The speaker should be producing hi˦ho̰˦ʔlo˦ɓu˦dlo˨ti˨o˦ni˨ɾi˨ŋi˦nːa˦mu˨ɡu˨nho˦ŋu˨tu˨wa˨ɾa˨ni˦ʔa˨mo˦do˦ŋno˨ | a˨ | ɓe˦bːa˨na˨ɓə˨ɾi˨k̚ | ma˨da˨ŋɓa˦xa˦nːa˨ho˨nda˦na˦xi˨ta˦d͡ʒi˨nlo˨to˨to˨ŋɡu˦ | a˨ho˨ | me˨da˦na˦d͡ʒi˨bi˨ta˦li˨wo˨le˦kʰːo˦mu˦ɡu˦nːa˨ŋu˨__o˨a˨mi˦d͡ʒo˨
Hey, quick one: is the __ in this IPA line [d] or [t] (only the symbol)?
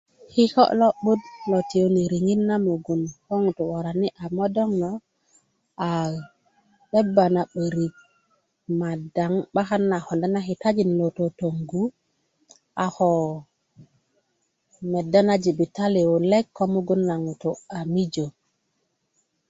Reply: t